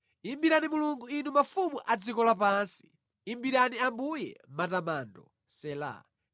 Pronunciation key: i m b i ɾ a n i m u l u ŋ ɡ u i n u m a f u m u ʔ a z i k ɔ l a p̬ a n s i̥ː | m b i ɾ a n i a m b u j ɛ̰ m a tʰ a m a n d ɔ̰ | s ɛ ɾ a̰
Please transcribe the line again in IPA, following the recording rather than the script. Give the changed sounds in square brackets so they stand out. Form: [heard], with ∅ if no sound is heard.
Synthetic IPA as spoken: i m b i ɾ a n i m u l u ŋ ɡ u i n u m a f u m u ʔ a [d͡z] i k ɔ l a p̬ a n s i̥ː | m b i ɾ a n i a m b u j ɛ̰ m a [t] a m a n d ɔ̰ | s ɛ [l] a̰